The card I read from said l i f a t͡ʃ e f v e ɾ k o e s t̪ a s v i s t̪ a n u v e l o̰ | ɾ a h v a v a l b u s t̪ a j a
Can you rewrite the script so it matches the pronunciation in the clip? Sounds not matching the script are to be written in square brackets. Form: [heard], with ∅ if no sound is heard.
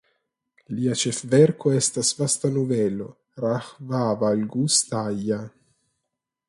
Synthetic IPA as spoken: l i [∅] a t͡ʃ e f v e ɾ k o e s t̪ a s v [a] s t̪ a n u v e l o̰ | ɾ a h v a v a l [ɡ] u s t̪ a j a